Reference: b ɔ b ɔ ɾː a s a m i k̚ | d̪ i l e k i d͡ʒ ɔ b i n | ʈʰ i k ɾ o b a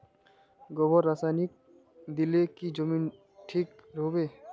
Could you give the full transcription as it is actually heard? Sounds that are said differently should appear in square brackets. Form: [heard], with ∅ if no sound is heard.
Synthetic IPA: [ɡ] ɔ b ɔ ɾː a s a [n] i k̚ | d̪ i l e k i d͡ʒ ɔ [m] i n | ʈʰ i k ɾ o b [e]